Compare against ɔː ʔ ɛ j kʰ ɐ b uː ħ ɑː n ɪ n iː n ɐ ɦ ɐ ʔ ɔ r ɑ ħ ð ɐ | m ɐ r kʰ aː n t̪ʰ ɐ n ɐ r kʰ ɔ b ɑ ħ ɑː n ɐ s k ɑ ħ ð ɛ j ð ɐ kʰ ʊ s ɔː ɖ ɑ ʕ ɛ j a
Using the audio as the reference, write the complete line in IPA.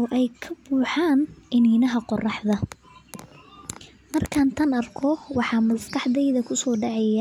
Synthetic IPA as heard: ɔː ʔ ɛ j kʰ ɐ b uː ħ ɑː n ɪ n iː n ɐ ɦ ɐ q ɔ r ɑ ħ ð ɐ | m ɐ r kʰ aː n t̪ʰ ɐ n ɐ r kʰ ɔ w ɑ ħ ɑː m ɐ s k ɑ ħ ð ɛ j ð ɐ kʰ ʊ s ɔː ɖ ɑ ʕ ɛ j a